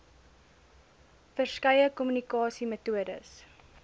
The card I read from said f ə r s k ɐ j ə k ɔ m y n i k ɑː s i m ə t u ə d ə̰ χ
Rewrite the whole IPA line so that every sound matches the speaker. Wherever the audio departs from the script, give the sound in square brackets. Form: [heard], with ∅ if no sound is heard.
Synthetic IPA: f ə r s k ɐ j ə k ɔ m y n i k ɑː s i m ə t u ə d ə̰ [s]